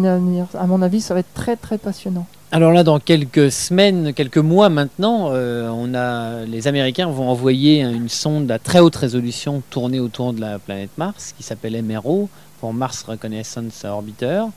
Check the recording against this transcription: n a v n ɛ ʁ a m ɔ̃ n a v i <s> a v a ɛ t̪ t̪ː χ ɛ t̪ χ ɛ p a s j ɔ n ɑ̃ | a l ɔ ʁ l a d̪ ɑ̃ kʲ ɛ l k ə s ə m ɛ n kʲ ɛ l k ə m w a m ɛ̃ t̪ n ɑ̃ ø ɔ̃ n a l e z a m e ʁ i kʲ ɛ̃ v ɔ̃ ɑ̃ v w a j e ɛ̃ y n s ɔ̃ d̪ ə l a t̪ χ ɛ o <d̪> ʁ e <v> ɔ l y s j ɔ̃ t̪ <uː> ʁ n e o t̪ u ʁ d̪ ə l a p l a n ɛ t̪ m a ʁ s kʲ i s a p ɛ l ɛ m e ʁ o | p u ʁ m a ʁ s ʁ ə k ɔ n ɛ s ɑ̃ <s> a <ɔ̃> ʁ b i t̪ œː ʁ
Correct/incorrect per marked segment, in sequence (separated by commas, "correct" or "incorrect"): correct, incorrect, incorrect, incorrect, correct, incorrect